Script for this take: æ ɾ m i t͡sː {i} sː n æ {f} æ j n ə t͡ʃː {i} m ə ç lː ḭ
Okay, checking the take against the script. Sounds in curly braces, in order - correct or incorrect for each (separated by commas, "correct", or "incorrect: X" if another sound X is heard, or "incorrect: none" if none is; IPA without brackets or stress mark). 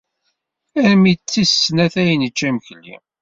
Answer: correct, incorrect: θ, incorrect: æ